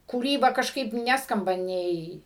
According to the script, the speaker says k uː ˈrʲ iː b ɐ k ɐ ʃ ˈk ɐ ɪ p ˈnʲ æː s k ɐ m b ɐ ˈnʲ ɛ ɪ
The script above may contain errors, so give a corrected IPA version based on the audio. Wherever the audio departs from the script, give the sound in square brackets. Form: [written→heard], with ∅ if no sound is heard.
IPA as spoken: k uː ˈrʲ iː b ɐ k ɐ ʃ ˈk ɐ ɪ p ˈnʲ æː s k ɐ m b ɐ ˈnʲ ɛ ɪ